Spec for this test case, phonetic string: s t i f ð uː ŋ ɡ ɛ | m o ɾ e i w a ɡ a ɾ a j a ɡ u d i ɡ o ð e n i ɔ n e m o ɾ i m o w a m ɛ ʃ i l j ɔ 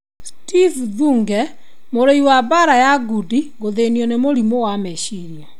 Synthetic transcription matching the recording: s t i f ð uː ŋ ɡ ɛ | m o ɾ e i w a b a ɾ a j a ɡ u d i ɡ o ð e n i ɔ n e m o ɾ i m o w a m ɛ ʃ i ɾ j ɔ